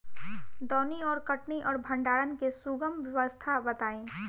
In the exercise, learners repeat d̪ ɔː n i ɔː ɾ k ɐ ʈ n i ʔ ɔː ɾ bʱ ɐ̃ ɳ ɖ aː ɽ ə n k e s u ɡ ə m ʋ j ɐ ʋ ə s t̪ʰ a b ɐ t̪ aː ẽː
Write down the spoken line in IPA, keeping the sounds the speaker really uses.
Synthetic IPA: d̪ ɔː n i ɔː ɾ k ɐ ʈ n i ʔ ɔː ɾ bʱ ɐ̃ ɳ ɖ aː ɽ ə n k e s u ɡ ə m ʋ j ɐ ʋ ə s t̪ʰ a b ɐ t̪ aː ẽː